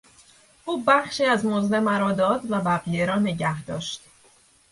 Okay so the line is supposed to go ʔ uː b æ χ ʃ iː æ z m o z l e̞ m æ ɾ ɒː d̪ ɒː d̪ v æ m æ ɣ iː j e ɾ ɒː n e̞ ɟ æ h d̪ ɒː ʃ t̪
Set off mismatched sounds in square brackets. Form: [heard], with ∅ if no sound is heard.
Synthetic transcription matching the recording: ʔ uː b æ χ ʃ iː æ z m o z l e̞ m æ ɾ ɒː d̪ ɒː d̪ v æ [b] æ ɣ [i] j e ɾ ɒː n e̞ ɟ æ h d̪ ɒː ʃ t̪